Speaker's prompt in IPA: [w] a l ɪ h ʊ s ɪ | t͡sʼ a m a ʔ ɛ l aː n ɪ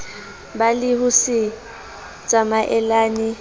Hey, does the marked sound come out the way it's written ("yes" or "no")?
no